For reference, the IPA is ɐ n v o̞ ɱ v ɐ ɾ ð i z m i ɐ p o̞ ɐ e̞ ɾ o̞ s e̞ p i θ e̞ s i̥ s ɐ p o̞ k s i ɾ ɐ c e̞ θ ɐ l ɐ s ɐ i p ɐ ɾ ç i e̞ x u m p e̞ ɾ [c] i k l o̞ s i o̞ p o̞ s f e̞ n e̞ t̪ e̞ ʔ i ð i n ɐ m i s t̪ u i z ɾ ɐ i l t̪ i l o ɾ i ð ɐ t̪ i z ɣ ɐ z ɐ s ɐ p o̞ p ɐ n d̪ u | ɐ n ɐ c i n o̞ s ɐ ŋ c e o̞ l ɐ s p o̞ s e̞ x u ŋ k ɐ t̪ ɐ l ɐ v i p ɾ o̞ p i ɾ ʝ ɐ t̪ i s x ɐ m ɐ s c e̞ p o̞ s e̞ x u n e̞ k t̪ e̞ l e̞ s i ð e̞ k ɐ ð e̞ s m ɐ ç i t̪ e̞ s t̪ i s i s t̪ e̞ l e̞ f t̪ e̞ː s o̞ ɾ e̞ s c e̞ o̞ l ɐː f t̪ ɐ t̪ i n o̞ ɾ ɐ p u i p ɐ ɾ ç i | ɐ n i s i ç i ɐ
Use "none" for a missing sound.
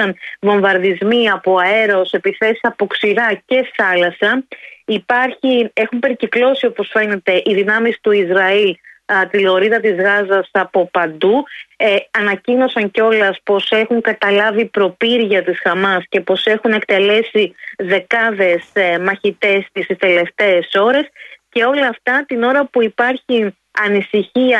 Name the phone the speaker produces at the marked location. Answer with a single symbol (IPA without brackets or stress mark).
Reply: c